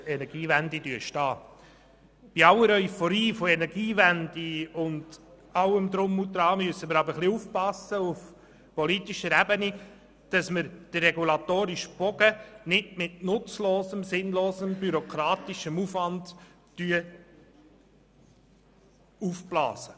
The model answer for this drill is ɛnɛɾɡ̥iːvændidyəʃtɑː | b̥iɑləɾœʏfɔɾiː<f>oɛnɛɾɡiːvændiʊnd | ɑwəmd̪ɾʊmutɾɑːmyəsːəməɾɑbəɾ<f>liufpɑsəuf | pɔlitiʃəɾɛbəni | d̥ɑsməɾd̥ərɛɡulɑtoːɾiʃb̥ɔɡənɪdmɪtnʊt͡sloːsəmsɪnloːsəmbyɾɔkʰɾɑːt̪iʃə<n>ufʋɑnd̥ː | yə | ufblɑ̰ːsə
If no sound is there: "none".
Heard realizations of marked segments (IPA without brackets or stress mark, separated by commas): f, χ, m